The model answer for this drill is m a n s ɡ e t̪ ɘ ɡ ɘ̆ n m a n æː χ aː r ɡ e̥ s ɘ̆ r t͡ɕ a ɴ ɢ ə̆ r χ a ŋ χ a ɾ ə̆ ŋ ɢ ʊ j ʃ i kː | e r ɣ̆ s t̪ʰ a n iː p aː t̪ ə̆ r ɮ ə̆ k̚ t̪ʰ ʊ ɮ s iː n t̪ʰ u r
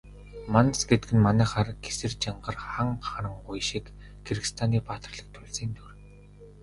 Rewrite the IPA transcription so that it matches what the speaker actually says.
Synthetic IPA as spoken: m a n s ɡ e t̪ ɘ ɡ ɘ̆ n m a n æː χ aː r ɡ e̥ s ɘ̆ r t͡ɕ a ɴ ɢ ə̆ r χ a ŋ χ a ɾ ə̆ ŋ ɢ ʊ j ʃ i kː | e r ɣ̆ s t̪ʰ a n iː p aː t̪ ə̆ r ɮ ə̆ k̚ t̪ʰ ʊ ɮ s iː n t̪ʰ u r

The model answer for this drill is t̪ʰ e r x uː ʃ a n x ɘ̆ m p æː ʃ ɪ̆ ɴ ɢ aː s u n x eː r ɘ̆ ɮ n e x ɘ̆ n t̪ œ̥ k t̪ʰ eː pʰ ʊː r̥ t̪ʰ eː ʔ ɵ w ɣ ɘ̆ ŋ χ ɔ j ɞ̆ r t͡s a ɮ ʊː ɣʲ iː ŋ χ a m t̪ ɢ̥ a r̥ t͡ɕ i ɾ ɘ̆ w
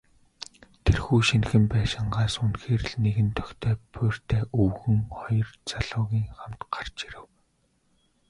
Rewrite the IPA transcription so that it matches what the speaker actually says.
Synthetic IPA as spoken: t̪ʰ e r x uː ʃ i n x ɘ̆ m p æː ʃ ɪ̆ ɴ ɢ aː s u n x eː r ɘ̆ ɮ n e ɣ ɘ̆ n t̪ʰ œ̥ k t̪ʰ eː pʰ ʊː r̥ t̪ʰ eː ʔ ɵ w ɣ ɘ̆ ŋ χ ɔ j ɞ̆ r t͡s a ɮ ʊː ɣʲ iː ŋ χ a m t̪ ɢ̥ a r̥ t͡ɕ i ɾ ɘ̆ w

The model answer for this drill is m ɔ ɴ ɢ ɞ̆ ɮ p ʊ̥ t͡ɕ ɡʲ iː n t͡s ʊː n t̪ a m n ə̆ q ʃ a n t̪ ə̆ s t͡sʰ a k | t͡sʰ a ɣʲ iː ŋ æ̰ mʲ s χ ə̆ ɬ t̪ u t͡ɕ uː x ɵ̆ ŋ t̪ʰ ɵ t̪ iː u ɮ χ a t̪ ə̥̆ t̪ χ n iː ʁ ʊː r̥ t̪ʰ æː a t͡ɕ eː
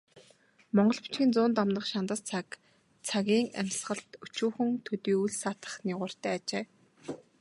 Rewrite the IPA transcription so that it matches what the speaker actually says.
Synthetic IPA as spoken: m ɔ ɴ ɢ ɞ̆ ɮ p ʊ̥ t͡ɕ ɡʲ iː n t͡s ʊː n t̪ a m n ə̆ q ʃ a n t̪ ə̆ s t͡sʰ a k | t͡sʰ a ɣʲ iː ŋ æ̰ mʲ s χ ə̆ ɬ t̪ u t͡ɕ uː x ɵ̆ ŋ t̪ʰ ɵ t̪ iː u ɮ s a t̪ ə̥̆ χ n iː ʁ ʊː r̥ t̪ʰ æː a t͡ɕ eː

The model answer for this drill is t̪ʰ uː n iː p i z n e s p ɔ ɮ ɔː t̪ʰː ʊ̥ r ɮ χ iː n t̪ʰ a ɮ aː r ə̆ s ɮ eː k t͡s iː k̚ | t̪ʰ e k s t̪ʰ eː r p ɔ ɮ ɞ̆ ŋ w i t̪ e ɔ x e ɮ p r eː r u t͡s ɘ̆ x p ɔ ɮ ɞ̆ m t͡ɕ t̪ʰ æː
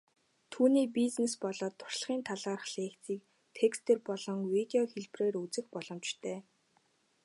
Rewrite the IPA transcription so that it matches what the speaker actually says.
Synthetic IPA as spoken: t̪ʰ uː n iː p i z n e s p ɔ ɮ ɔː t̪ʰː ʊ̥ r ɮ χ iː n t̪ʰ a ɮ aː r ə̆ χ ɮ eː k t͡s iː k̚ | t̪ʰ e k s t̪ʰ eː r p ɔ ɮ ɞ̆ ŋ w i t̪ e ɔ x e ɮ p r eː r u t͡s ɘ̆ x p ɔ ɮ ɞ̆ m t͡ɕ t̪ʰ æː

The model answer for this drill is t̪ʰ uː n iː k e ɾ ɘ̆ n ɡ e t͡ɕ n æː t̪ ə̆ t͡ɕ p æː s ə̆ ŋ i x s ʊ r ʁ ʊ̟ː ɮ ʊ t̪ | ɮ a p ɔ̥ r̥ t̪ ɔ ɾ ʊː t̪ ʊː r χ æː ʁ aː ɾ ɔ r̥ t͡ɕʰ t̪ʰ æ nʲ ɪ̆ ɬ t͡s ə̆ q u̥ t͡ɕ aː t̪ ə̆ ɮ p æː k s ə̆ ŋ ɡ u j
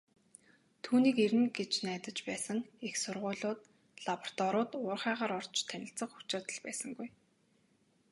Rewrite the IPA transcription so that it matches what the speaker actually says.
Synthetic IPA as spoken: t̪ʰ uː n iː k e ɾ ɘ̆ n ɡ e t͡ɕ n æː t̪ ə̆ t͡ɕ p æː s ə̆ ŋ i x s ʊ r ʁ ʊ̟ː ɮ ʊː t̪ | ɮ a p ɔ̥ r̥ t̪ ɔ ɾ ʊː t̪ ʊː r χ æː ʁ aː ɾ ɔ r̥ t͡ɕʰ t̪ʰ æ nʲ ɪ̆ ɬ t͡s ə̆ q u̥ t͡ɕ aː t̪ ə̆ ɮ p æː s ə̆ ŋ ɡ u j

